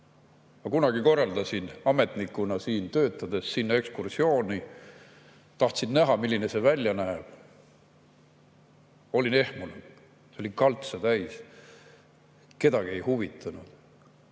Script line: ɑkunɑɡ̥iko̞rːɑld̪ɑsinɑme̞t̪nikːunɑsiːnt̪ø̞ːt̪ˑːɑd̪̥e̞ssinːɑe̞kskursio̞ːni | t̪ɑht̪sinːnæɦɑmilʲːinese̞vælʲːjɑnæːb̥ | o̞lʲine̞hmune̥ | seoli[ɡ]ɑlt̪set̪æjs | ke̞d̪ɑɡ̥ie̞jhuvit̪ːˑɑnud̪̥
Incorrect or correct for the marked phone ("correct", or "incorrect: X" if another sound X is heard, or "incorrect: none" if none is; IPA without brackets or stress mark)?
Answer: incorrect: k